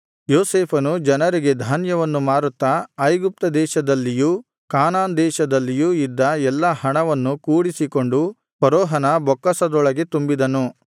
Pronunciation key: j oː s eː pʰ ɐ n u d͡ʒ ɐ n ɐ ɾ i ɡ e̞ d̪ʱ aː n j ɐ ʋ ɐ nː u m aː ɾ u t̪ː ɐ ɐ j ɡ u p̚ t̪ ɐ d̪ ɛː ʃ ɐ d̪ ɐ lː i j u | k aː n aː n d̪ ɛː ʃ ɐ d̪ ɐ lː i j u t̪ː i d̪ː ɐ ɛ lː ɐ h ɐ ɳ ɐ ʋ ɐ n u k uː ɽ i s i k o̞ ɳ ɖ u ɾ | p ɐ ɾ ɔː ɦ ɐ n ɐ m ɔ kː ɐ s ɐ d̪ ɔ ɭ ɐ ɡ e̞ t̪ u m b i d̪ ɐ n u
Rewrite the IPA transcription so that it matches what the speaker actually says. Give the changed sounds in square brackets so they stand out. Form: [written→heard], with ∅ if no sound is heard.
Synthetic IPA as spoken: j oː s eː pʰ ɐ n u d͡ʒ ɐ n ɐ ɾ i ɡ e̞ d̪ʱ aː n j ɐ ʋ ɐ nː u m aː ɾ u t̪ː ɐ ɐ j ɡ u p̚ t̪ ɐ d̪ ɛː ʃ ɐ d̪ ɐ lː i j u | k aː n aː n d̪ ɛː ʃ ɐ d̪ ɐ lː i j u [t̪ː→∅] i d̪ː ɐ ɛ lː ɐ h ɐ ɳ ɐ ʋ ɐ [n→nː] u k uː ɽ i s i k o̞ ɳ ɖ u [ɾ→∅] | p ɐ ɾ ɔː ɦ ɐ n ɐ [m→b] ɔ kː ɐ s ɐ d̪ ɔ ɭ ɐ ɡ e̞ t̪ u m b i d̪ ɐ n u